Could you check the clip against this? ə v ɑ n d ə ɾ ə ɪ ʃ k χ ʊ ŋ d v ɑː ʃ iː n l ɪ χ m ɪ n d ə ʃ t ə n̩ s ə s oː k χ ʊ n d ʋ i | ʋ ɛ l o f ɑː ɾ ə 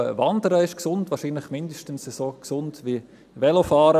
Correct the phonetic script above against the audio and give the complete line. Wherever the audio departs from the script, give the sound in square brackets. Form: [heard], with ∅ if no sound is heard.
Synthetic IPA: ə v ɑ n d ə ɾ ə ɪ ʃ k [s] ʊ [n] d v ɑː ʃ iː n l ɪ χ m ɪ n d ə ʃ t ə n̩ s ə s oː k [s] ʊ n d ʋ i | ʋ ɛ l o f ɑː ɾ ə